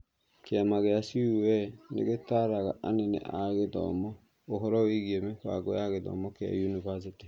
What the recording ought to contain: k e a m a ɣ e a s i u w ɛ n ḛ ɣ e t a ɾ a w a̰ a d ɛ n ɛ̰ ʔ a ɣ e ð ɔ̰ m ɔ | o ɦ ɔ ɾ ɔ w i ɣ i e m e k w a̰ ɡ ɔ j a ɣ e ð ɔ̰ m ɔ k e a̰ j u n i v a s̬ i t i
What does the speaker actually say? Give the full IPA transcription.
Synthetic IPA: k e a m a ɣ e a s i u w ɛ n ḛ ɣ e t a ɾ a ɣ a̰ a n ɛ n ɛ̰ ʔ a ɣ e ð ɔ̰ m ɔ | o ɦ ɔ ɾ ɔ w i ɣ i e m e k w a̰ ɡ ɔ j a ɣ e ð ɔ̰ m ɔ k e a̰ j u n i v a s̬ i t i